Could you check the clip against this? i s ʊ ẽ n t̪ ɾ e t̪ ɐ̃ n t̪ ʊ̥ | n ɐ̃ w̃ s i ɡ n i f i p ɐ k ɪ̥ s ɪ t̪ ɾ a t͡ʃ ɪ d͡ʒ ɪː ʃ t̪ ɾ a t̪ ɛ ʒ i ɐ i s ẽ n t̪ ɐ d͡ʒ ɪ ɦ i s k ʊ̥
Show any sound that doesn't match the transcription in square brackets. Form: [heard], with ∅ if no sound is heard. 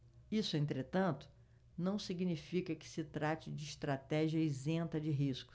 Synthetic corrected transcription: i s ʊ ẽ n t̪ ɾ e t̪ ɐ̃ n t̪ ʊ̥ | n ɐ̃ w̃ s i ɡ n i f i [k] ɐ k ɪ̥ s ɪ t̪ ɾ a t͡ʃ ɪ d͡ʒ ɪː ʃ t̪ ɾ a t̪ ɛ ʒ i ɐ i [z] ẽ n t̪ ɐ d͡ʒ ɪ ɦ i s k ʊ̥